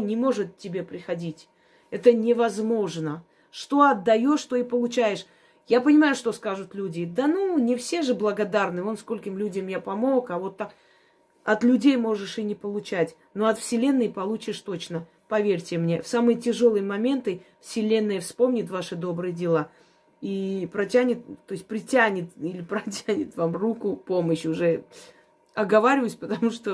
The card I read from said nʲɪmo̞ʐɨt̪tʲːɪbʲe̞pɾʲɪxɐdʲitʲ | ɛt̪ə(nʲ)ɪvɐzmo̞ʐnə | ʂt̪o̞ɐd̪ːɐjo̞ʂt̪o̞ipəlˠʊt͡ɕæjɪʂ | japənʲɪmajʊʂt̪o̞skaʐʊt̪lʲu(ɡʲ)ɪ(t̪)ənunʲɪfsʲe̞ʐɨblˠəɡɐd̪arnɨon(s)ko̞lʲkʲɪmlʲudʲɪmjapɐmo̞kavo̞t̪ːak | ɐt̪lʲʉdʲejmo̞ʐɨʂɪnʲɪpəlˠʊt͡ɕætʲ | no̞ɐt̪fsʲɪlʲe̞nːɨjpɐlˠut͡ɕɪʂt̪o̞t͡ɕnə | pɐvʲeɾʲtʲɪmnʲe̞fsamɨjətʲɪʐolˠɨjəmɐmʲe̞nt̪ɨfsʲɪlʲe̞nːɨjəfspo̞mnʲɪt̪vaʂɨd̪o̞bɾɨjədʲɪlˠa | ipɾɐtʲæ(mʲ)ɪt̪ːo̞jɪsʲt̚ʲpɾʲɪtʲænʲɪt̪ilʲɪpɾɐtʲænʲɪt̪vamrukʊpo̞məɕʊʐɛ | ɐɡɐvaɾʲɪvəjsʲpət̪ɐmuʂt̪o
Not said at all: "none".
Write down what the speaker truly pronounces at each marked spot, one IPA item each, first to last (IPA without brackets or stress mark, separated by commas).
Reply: nʲ, dʲ, d̪, s, nʲ